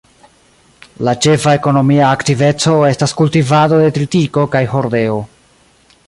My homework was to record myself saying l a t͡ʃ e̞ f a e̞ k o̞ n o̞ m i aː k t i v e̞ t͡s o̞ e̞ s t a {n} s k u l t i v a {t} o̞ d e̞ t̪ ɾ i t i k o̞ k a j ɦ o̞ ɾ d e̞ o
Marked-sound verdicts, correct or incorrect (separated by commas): incorrect, incorrect